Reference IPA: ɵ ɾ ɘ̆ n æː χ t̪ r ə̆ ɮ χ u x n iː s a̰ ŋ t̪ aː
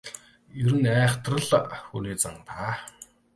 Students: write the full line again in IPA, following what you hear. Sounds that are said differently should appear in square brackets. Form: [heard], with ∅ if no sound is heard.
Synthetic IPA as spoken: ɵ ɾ ɘ̆ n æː χ t̪ r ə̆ ɮ [x] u [∅] n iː [t͡s] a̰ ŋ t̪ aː